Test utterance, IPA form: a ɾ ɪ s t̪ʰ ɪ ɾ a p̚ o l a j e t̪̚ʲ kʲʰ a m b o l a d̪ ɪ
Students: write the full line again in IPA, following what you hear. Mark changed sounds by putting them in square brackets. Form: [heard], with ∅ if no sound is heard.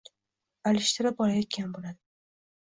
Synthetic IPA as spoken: a [l] ɪ [ʃ] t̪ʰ ɪ ɾ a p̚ [ɒ] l a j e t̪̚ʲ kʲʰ a [n] b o l a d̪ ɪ